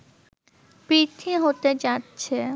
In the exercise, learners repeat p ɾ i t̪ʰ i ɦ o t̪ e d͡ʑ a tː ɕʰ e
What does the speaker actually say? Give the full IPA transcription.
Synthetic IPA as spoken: p ɾ i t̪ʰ i ɦ o t̪ e d͡ʑ a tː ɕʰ e